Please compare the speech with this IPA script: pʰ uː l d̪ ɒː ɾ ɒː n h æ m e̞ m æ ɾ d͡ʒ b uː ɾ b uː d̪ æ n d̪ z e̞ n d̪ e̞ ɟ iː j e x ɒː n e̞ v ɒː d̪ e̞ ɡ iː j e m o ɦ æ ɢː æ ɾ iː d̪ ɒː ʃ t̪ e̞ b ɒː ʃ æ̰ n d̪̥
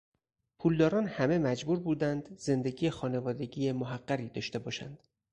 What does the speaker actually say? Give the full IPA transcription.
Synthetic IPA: pʰ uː l d̪ ɒː ɾ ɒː n h æ m e̞ m æ d͡ʒ b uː ɾ b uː d̪ æ n d̪ z e̞ n d̪ e̞ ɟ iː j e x ɒː n e̞ v ɒː d̪ e̞ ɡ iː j e m o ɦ æ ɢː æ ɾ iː d̪ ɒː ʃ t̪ e̞ b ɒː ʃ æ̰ n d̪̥